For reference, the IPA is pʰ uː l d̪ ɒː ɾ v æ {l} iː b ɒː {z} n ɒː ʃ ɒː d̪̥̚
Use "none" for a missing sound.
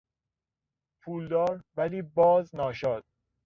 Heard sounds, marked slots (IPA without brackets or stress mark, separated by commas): l, z